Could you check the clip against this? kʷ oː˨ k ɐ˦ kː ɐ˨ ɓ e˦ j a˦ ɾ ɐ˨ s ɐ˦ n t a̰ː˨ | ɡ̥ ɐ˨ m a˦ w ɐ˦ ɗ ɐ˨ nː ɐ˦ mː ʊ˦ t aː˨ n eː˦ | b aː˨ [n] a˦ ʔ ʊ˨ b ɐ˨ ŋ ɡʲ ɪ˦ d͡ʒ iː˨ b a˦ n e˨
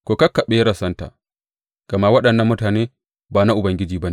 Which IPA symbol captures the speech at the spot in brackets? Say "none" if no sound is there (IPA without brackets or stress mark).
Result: n